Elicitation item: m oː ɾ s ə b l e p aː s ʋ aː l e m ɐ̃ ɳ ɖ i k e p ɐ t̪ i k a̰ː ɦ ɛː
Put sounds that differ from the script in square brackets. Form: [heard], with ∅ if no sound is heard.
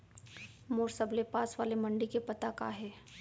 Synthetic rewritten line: m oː ɾ s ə b l e p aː s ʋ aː l e m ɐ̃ ɳ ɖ i k e p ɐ t̪ [a] k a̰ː ɦ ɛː